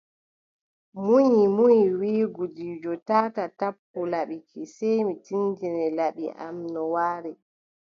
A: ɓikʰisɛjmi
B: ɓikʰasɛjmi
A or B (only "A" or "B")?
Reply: A